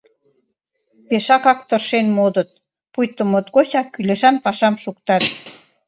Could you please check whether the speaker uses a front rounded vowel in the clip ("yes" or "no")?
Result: yes